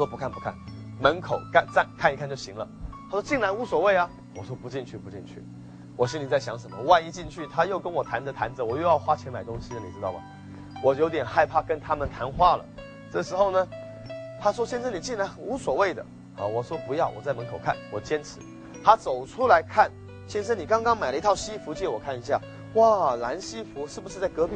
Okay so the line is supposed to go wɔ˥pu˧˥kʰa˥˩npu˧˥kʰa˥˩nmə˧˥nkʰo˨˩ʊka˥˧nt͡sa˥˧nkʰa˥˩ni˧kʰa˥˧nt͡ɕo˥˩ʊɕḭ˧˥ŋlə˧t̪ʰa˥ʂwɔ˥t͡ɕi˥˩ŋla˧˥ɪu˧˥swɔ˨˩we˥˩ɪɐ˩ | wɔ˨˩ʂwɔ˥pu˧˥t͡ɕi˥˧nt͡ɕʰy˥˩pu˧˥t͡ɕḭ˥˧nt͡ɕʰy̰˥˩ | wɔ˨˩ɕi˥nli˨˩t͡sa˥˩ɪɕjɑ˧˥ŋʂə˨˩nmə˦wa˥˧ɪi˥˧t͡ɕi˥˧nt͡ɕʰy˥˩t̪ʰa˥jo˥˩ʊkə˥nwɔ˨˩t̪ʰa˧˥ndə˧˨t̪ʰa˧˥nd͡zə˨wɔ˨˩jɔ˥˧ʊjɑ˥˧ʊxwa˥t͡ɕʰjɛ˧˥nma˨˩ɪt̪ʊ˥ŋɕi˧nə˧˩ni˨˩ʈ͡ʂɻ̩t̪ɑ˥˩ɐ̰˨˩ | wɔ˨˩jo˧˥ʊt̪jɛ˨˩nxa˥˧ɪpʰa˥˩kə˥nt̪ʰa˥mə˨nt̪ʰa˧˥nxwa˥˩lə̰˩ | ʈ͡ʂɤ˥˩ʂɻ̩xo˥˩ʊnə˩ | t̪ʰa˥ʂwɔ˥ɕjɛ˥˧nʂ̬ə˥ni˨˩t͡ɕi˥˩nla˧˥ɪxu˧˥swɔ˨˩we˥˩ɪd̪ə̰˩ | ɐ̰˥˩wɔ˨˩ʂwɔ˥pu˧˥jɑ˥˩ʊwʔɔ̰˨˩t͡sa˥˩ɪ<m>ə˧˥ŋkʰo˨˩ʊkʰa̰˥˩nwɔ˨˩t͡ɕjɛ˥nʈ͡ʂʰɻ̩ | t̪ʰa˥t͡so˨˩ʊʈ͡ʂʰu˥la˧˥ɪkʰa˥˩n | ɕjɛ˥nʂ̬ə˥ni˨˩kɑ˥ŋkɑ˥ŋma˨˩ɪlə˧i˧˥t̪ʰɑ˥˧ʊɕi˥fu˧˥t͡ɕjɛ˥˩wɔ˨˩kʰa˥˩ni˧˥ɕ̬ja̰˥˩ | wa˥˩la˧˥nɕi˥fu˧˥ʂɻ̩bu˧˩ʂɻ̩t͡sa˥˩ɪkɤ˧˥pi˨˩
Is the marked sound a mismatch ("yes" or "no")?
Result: no